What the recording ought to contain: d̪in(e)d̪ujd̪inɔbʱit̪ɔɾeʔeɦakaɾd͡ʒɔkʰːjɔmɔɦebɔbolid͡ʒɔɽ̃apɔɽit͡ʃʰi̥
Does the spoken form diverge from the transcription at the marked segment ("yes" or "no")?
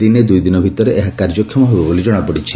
no